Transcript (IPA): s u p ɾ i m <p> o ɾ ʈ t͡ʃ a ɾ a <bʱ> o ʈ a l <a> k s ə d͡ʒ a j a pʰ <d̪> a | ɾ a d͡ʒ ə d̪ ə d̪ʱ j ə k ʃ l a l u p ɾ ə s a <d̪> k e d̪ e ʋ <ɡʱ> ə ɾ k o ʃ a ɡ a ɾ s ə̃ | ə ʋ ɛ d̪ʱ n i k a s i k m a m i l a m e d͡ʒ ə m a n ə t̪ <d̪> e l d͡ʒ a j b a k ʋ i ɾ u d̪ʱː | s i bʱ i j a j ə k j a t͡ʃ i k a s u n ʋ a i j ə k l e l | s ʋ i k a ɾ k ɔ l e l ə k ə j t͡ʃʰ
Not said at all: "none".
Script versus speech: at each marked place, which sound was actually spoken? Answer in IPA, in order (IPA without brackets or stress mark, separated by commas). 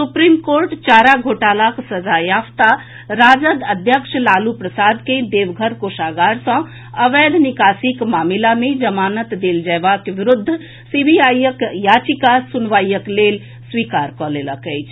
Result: k, ɡʱ, a, t̪, d̪, ɡʱ, d̪